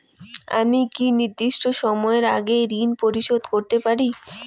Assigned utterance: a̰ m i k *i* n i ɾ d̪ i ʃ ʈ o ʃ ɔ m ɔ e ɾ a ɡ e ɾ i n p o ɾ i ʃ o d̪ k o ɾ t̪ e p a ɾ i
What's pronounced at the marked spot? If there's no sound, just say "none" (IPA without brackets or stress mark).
i